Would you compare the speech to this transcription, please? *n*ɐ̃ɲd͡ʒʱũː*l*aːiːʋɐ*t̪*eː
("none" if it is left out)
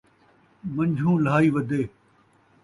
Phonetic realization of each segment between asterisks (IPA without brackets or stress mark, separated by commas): m, l, d̪